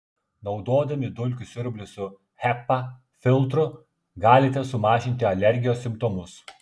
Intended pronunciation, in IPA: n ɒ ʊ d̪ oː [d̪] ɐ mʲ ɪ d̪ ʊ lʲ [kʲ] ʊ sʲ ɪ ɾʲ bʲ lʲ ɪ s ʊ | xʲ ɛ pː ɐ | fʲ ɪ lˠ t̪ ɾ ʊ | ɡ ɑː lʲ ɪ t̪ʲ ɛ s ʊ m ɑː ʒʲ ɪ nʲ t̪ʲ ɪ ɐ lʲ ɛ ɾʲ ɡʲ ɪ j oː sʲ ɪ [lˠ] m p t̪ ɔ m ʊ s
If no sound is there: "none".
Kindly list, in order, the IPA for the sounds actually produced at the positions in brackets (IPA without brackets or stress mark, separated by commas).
d̪, kʲ, none